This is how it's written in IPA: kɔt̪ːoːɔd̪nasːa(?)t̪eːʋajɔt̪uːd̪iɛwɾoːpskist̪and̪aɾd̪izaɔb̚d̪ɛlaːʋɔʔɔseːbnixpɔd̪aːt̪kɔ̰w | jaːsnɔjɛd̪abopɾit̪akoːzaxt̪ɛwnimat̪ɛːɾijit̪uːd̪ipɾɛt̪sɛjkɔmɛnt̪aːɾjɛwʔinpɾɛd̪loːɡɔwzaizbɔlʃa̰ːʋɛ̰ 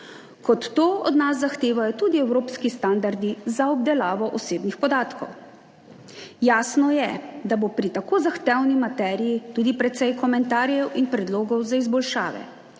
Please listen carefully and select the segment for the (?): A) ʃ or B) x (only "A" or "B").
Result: B